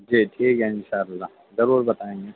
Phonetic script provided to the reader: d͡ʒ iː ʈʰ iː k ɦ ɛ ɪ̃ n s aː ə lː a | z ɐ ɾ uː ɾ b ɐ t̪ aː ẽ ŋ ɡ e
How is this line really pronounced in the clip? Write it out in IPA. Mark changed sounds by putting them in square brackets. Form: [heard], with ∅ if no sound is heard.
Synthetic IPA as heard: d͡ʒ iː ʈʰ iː k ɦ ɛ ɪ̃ n [ʃ] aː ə lː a | z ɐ ɾ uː ɾ b ɐ t̪ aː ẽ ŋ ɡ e

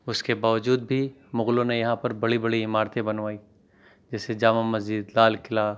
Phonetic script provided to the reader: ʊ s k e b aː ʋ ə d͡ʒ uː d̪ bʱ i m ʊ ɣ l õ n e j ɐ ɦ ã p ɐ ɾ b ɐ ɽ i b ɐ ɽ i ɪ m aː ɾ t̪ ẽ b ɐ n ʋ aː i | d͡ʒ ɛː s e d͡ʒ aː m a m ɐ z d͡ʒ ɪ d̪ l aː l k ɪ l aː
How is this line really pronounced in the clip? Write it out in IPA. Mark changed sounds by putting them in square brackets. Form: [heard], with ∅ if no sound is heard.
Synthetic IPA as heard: ʊ s k e b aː ʋ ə d͡ʒ uː d̪ bʱ i m ʊ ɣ l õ n e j ɐ ɦ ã p ɐ ɾ b ɐ ɽ i b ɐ ɽ i ɪ m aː ɾ t̪ ẽ b ɐ n ʋ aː i | d͡ʒ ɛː s e d͡ʒ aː m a m ɐ z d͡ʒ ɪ d̪ l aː l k ɪ l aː

